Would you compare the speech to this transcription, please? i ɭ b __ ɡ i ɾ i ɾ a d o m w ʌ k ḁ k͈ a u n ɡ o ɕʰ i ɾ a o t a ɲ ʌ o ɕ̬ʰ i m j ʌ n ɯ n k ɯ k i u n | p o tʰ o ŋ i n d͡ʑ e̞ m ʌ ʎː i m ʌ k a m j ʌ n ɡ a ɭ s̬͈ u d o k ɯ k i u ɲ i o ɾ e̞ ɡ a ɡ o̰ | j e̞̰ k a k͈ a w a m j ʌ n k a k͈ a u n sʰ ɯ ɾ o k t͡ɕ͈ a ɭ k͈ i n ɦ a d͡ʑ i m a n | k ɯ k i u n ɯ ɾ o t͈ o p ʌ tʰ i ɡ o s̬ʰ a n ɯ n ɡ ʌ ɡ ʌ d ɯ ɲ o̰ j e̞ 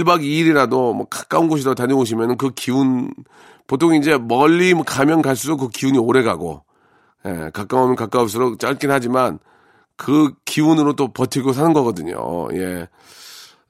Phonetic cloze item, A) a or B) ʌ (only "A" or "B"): A